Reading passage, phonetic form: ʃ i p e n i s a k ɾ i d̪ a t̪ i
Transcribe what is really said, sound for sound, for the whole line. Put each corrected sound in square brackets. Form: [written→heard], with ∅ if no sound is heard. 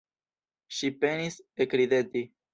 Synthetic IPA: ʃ i p e n i s [a→e] k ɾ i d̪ [a→e] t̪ i

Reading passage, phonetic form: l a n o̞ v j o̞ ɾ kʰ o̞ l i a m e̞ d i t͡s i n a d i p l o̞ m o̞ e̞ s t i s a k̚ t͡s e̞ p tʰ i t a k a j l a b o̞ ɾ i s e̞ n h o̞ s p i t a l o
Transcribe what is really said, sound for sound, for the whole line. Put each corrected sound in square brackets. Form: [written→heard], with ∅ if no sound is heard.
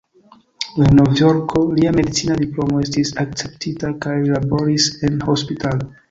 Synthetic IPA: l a n o̞ v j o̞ ɾ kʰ o̞ l i a m e̞ d i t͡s i n a d i p l o̞ m o̞ e̞ s t i s a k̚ t͡s e̞ p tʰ i t a k a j l a b o̞ ɾ i s e̞ n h o̞ s p i t a l o

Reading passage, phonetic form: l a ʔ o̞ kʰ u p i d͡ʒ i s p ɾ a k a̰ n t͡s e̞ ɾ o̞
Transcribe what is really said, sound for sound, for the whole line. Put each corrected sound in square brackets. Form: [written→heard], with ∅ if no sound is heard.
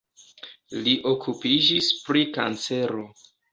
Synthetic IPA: l [a→i] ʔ o̞ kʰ u p i d͡ʒ i s p ɾ [a→i] k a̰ n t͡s e̞ ɾ o̞

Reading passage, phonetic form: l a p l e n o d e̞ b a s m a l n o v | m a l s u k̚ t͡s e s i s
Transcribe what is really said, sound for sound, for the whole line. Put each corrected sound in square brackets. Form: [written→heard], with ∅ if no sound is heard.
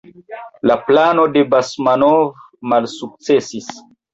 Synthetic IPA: l a p l [e→a] n o d e̞ b a s m a [l→∅] n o v | m a l s u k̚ t͡s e s i s

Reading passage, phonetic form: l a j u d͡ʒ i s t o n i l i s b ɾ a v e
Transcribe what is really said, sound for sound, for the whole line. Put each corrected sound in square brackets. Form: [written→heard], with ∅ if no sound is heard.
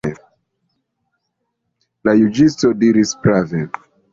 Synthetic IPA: l a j u d͡ʒ i s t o [n→d] i [l→ɾ] i s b ɾ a v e

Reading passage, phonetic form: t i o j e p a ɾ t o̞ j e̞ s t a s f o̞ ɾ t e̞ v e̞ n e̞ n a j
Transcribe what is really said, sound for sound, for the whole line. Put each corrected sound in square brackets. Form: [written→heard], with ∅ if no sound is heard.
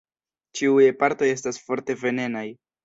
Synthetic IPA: [t→t͡ʃ] i [o→u] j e p a ɾ t o̞ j e̞ s t a s f o̞ ɾ t e̞ v e̞ n e̞ n a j

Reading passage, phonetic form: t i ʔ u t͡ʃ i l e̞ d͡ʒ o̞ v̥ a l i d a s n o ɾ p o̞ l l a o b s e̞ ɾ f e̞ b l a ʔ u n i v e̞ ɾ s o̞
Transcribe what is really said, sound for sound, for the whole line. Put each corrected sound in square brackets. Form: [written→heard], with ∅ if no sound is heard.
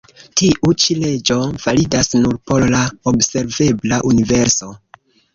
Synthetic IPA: t i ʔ u t͡ʃ i l e̞ d͡ʒ o̞ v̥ a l i d a s n [o→u] ɾ p o̞ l l a o b s e̞ ɾ [f→v] e̞ b l a ʔ u n i v e̞ ɾ s o̞

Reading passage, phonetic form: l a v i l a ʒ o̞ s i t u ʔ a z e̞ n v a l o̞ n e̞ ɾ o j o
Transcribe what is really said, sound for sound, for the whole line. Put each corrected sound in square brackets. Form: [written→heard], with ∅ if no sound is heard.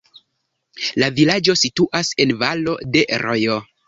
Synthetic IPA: l a v i l a [ʒ→d͡ʒ] o̞ s i t u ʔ a [z→s] e̞ n v a l o̞ [n→d] e̞ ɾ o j o

